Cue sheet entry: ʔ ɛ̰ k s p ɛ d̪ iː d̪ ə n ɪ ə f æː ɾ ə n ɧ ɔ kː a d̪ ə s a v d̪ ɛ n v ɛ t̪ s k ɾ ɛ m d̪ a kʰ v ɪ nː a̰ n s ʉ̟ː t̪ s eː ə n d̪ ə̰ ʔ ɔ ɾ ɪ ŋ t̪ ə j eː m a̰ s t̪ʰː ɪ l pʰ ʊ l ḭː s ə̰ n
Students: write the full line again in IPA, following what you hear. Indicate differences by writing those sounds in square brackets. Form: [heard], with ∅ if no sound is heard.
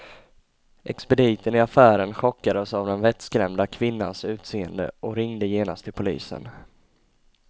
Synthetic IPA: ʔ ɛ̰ k s p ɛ d̪ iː [t̪] ə n ɪ [a] f æː ɾ ə n ɧ ɔ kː a d̪ ə s a v d̪ ɛ n v ɛ t̪ s k ɾ ɛ m d̪ a kʰ v ɪ nː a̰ n s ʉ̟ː t̪ s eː ə n d̪ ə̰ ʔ ɔ ɾ ɪ ŋ [d̪] ə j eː [n] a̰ s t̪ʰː ɪ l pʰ ʊ l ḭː s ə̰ n